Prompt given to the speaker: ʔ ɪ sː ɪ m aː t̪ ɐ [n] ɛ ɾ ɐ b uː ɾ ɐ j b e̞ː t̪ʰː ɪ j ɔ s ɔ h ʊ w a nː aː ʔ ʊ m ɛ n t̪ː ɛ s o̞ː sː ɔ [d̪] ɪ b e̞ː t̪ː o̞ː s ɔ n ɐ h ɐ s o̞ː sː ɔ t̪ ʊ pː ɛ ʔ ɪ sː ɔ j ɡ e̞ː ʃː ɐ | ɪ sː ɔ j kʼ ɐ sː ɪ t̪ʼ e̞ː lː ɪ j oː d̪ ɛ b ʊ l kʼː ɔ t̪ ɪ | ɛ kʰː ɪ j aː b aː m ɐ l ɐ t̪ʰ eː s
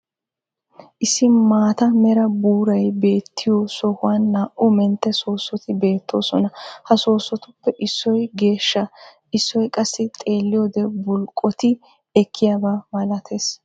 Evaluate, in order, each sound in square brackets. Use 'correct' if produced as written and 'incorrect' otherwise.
incorrect, incorrect

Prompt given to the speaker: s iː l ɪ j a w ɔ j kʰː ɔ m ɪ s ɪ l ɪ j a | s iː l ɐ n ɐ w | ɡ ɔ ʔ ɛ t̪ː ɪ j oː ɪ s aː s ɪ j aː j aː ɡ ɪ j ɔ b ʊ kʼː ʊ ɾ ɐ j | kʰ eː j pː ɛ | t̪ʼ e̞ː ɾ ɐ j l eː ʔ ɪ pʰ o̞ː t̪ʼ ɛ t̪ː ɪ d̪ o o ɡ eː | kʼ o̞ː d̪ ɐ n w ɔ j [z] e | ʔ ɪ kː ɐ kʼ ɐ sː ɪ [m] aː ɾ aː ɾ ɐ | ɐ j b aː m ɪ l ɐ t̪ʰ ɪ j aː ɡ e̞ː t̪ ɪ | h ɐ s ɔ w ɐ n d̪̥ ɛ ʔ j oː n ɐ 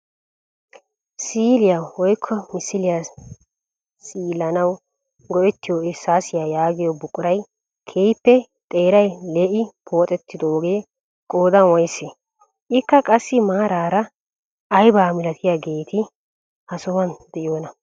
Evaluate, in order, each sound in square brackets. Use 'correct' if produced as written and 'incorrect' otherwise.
incorrect, correct

